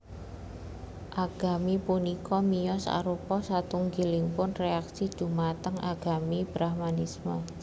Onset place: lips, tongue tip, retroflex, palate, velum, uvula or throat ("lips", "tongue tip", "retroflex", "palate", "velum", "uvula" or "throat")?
throat